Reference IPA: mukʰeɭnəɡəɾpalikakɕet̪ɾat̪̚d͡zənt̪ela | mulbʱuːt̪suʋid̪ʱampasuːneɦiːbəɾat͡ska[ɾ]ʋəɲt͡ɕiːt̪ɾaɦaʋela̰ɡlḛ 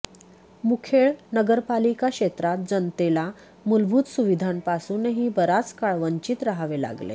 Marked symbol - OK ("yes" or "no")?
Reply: no